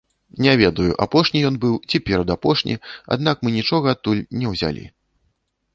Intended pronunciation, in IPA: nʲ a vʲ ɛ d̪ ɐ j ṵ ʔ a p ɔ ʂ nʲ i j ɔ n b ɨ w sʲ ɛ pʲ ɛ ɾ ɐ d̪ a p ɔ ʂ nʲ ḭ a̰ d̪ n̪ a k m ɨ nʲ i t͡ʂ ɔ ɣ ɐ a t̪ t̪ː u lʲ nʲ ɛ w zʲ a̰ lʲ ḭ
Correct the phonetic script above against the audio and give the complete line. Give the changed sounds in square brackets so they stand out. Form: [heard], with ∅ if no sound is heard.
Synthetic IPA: nʲ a vʲ ɛ d̪ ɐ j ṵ ʔ a p ɔ ʂ nʲ i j ɔ n b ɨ w [t͡sʲ] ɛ pʲ ɛ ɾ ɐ d̪ a p ɔ ʂ nʲ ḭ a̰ d̪ n̪ a k m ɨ nʲ i t͡ʂ ɔ ɣ ɐ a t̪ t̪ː u lʲ nʲ ɛ w zʲ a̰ lʲ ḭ